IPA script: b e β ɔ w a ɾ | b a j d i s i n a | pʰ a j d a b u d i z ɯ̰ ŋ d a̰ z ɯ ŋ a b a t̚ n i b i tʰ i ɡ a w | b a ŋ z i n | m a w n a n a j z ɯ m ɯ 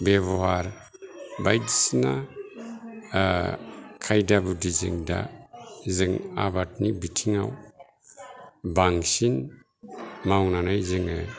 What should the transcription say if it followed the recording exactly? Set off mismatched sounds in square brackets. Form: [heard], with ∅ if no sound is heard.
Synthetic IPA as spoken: b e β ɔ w a ɾ | b a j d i s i n a | [kʰ] a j d a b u d i z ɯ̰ ŋ d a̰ z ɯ ŋ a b a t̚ n i b i tʰ i [ŋ] a w | b a ŋ [s] i n | m a w n a n a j z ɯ [ŋ] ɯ

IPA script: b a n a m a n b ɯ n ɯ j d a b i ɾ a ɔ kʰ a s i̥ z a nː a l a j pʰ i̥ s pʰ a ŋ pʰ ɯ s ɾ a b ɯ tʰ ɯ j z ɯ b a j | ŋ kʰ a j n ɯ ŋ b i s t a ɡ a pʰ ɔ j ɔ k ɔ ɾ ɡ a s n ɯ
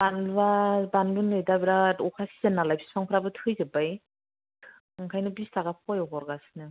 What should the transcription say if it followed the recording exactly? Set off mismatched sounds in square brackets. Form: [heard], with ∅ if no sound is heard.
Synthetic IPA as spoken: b a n a [b] a n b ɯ n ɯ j d a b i ɾ a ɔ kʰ a s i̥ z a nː a l a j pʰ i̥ s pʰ a ŋ pʰ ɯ [∅] ɾ a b ɯ tʰ ɯ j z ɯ b a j | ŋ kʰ a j n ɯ [∅] b i s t a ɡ a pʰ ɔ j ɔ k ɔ ɾ ɡ a s n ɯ

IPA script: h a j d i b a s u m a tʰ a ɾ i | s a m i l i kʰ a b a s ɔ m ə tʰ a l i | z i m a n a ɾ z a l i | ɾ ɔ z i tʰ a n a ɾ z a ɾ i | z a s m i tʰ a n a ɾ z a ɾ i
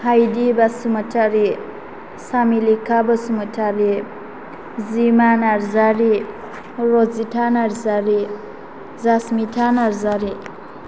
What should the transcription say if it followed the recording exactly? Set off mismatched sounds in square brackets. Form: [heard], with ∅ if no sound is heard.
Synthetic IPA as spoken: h a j d i b a s u m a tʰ a ɾ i | s a m i l i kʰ a b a s [u] m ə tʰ a [ɾ] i | z i m a n a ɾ z a [ɾ] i | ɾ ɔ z i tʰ a n a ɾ z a ɾ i | z a s m i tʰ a n a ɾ z a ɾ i

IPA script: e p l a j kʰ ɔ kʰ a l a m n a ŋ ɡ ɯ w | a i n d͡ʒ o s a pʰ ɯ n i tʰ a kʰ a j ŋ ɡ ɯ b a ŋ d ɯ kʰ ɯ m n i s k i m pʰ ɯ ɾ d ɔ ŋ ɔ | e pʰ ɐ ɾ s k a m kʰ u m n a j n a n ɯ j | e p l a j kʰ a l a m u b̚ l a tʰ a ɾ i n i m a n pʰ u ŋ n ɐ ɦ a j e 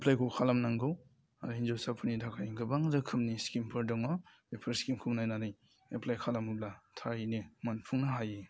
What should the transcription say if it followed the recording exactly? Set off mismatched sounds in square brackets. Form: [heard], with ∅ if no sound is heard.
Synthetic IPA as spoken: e p l a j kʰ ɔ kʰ a l a m n a ŋ ɡ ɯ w | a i n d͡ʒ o s a pʰ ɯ n i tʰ a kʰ a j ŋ ɡ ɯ b a ŋ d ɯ kʰ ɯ m n i s k i m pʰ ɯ ɾ d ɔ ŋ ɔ | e pʰ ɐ ɾ s k [i] m kʰ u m n a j n a n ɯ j | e p l a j kʰ a l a m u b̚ l a tʰ a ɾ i n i m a n pʰ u ŋ n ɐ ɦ a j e

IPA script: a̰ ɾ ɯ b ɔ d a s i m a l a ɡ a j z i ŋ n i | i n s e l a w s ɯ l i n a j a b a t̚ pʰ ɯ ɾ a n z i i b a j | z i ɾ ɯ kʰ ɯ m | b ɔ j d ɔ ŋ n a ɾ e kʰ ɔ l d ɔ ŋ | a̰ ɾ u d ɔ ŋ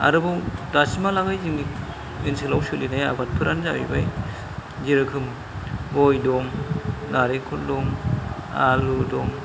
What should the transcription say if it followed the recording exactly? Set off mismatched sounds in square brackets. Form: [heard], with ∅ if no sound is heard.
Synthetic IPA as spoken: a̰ ɾ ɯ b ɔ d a s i m a l a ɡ a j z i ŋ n i | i n s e l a w s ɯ l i n a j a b a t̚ pʰ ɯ ɾ a n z [a] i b a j | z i ɾ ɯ kʰ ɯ m | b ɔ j d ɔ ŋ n a ɾ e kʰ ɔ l d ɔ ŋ | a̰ [l] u d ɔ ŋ

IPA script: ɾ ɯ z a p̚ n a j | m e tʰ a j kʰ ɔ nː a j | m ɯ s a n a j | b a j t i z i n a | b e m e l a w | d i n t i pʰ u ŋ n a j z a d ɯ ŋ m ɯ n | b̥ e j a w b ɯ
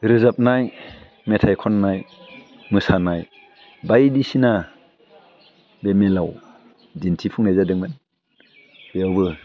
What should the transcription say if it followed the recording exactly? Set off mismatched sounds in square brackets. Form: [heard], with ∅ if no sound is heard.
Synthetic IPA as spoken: ɾ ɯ z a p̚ n a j | m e tʰ a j kʰ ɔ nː a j | m ɯ s a n a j | b a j [d] i [s] i n a | b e m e l a w | d i n [tʰ] i pʰ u ŋ n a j z a d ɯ ŋ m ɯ n | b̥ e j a w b ɯ

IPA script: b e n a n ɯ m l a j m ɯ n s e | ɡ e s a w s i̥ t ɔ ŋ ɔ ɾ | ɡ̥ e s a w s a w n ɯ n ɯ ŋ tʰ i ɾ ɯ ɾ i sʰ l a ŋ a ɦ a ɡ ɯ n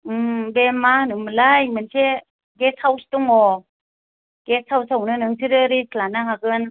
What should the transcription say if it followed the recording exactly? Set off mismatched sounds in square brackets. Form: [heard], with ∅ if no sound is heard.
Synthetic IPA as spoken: b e [m] a n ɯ m l a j m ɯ n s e | ɡ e s a w s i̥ t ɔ ŋ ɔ [∅] | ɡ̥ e s a w s a w n ɯ n ɯ ŋ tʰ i ɾ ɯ ɾ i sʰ l a [n] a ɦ a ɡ ɯ n

